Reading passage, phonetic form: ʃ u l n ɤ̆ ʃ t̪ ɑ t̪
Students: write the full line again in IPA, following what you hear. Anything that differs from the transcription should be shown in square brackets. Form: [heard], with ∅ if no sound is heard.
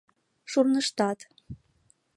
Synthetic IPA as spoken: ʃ u [r] n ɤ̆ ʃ t̪ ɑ t̪